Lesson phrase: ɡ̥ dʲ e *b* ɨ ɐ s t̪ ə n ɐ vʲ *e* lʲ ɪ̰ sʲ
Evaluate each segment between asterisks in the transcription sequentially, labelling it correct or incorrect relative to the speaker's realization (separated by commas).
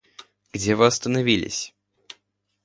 incorrect, incorrect